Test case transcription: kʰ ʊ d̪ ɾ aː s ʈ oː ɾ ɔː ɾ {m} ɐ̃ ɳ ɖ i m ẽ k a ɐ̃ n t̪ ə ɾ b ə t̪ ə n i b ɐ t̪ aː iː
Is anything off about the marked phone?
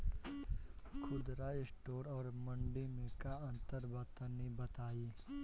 no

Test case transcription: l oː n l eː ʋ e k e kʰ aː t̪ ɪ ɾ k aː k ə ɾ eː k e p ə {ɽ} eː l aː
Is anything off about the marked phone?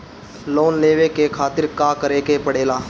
no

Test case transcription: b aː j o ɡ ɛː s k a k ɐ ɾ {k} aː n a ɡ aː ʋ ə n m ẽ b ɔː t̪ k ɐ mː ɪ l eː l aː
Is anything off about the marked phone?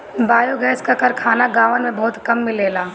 yes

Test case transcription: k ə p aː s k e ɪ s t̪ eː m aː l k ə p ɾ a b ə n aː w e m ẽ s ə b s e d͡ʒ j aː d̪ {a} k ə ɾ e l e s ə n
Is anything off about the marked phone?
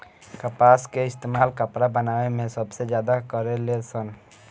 no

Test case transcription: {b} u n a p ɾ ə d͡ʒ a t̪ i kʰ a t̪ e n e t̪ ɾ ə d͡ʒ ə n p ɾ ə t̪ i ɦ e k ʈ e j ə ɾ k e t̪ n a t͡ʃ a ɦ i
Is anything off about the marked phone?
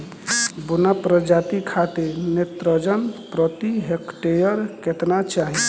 no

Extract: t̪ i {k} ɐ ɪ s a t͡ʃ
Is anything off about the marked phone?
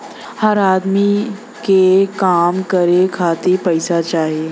yes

